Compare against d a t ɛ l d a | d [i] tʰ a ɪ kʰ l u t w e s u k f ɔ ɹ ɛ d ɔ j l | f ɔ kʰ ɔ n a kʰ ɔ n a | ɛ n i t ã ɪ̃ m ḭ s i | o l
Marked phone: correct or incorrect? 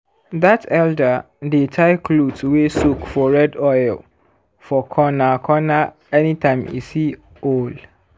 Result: incorrect